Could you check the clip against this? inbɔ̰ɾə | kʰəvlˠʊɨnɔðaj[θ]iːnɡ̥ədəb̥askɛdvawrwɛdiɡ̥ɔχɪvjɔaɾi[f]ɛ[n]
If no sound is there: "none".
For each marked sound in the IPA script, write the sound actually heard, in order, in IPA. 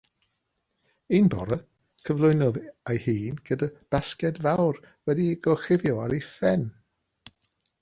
h, f, n

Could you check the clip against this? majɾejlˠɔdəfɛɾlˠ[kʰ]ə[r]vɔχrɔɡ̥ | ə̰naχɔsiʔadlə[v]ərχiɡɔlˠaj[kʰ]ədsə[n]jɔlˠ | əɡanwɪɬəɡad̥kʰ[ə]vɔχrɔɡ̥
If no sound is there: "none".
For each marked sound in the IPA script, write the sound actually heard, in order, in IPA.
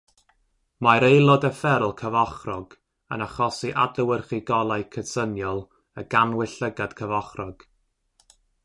kʰ, none, w, kʰ, n, ə

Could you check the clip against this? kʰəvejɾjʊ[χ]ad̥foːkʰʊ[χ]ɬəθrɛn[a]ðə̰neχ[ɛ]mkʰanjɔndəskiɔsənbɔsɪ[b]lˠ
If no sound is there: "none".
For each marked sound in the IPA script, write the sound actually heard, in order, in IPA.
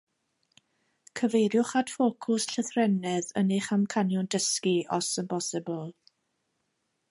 χ, s, ɛ, a, b

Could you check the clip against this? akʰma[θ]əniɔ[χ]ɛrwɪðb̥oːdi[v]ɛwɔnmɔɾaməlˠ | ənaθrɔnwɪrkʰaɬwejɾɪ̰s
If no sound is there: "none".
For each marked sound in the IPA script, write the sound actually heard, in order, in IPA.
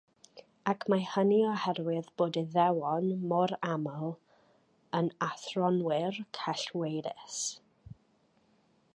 h, h, ð

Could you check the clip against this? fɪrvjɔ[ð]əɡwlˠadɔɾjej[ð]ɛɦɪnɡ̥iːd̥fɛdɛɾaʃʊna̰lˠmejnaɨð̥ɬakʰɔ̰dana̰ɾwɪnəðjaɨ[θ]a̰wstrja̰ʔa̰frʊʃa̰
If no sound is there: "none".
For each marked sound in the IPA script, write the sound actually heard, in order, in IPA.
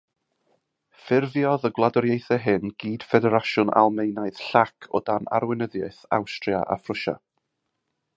ð, θ, θ

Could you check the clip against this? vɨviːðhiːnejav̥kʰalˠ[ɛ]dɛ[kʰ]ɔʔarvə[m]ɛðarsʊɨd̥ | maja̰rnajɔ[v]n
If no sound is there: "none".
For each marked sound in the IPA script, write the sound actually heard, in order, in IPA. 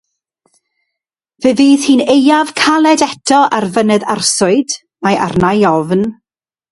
ɛ, tʰ, n, v

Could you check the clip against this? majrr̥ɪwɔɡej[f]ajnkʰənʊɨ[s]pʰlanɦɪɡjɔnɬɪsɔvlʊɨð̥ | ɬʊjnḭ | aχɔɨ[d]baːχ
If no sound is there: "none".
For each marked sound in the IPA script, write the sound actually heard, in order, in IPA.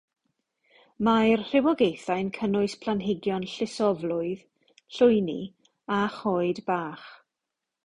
θ, s, d

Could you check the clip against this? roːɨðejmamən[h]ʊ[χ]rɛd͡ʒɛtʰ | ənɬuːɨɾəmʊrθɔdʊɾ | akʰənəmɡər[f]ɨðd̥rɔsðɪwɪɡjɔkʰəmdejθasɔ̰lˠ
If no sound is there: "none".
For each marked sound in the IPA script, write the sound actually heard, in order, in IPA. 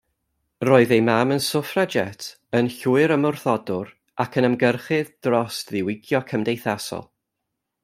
s, f, χ

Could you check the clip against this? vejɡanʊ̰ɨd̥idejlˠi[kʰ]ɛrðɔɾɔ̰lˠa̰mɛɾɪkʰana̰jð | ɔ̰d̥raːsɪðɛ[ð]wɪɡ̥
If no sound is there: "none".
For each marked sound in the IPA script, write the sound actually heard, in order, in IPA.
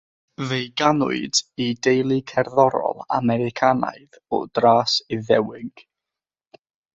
kʰ, none

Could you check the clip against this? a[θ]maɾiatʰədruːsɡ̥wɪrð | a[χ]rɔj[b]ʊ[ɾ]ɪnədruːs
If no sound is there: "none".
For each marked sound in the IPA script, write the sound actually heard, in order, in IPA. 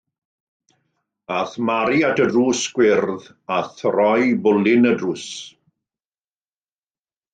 θ, θ, b, l

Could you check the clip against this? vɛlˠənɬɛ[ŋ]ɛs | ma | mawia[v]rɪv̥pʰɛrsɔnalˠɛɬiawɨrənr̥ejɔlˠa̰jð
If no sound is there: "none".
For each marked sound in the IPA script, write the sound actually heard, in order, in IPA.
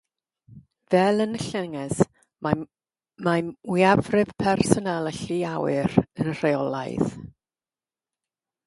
ŋ, v

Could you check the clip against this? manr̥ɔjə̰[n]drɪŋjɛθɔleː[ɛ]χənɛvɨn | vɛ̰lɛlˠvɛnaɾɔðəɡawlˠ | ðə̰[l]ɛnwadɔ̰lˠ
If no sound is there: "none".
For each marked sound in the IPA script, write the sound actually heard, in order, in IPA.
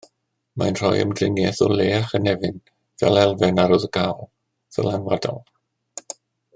m, a, l

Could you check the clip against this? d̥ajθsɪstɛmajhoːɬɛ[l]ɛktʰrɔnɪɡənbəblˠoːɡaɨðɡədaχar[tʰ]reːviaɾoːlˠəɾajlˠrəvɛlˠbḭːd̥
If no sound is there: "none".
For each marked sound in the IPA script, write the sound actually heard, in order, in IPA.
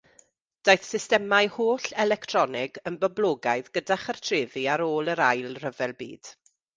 l, tʰ

